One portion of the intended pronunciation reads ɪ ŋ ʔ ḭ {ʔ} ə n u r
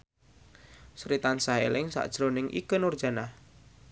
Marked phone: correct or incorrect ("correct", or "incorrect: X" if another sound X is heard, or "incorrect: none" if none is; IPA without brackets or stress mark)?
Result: incorrect: k